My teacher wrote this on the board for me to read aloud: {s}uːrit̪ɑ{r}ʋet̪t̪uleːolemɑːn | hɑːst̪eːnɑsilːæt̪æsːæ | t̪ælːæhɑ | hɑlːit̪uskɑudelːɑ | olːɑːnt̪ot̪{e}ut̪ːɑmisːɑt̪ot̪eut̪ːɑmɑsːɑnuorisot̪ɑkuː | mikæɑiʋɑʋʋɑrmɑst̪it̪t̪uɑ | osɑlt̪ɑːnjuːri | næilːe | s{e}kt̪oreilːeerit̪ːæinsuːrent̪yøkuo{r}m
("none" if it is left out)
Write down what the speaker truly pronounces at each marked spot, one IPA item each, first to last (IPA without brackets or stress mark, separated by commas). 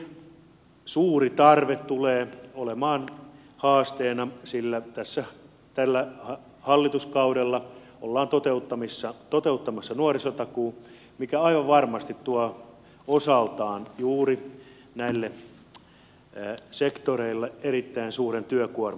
s, r, e, e, r